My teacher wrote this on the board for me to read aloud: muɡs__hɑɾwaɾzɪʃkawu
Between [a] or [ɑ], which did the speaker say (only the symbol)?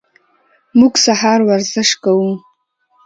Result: a